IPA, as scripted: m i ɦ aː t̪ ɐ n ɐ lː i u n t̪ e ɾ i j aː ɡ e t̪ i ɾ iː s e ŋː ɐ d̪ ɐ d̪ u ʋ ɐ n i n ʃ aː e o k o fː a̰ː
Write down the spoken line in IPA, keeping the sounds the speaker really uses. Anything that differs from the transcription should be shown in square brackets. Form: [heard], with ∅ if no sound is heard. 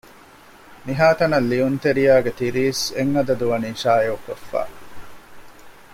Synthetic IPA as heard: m i ɦ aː t̪ ɐ n ɐ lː i u n t̪ e ɾ i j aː ɡ e t̪ i ɾ iː s e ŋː ɐ d̪ ɐ d̪ u ʋ ɐ n i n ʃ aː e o k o fː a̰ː